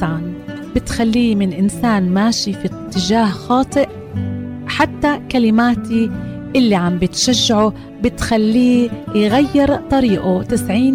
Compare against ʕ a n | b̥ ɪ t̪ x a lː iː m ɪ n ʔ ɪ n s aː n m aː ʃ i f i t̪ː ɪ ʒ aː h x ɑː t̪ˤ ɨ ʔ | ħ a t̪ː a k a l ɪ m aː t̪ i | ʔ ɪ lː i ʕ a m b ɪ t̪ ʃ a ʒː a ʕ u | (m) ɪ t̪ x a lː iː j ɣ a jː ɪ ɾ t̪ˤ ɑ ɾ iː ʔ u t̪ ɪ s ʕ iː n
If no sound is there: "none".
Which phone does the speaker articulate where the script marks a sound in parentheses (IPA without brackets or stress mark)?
b